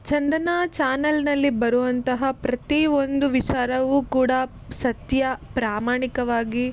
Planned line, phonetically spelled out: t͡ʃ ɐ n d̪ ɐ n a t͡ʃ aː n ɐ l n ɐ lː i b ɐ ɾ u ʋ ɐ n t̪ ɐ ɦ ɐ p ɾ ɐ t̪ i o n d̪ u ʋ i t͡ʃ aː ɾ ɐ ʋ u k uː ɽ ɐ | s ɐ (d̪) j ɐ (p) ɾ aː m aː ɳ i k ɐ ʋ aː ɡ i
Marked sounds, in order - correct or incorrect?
incorrect, correct

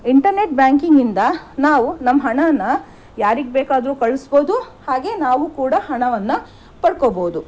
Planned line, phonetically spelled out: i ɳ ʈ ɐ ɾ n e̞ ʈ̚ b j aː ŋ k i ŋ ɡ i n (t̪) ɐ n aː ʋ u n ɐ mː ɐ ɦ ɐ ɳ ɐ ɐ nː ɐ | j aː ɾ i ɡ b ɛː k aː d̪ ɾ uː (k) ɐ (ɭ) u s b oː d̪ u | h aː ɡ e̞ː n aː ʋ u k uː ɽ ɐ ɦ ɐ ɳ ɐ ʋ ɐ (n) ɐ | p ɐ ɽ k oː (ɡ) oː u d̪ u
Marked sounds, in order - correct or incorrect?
incorrect, correct, correct, incorrect, incorrect

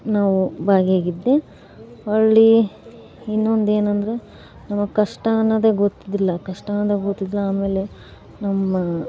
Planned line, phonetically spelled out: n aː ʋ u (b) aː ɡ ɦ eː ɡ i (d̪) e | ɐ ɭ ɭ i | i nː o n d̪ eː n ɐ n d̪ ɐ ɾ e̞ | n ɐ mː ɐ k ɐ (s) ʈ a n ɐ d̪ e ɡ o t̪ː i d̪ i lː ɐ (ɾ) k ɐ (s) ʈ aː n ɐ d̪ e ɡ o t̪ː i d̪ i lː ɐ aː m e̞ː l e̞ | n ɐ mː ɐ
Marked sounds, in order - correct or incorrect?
correct, incorrect, incorrect, incorrect, incorrect

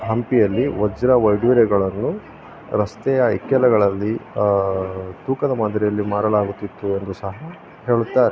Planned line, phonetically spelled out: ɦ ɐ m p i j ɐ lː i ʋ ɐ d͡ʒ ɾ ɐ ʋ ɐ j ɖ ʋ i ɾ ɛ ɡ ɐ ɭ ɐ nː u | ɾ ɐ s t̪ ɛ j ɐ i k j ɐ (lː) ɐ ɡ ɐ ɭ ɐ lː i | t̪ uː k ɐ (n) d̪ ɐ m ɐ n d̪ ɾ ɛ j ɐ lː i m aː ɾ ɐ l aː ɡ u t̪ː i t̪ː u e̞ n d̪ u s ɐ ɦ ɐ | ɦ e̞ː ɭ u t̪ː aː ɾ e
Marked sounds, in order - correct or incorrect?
incorrect, incorrect

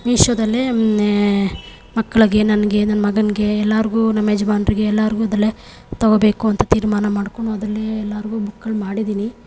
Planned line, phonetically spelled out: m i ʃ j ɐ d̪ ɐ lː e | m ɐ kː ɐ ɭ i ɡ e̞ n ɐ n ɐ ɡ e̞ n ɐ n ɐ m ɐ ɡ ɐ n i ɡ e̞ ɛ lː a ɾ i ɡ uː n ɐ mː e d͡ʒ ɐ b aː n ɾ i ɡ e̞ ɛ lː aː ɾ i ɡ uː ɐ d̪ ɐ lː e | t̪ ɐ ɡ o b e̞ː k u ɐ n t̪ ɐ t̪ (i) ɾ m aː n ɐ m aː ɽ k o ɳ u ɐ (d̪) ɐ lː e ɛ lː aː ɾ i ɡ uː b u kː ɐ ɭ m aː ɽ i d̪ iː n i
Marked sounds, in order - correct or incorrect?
incorrect, correct

